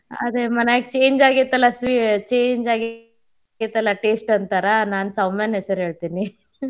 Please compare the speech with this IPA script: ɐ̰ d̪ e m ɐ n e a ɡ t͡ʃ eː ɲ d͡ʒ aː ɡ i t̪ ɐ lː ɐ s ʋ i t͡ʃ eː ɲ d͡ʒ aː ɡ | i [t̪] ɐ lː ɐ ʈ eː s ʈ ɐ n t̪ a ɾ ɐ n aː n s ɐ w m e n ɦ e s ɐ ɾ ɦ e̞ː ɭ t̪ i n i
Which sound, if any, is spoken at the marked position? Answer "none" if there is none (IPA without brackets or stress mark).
t̪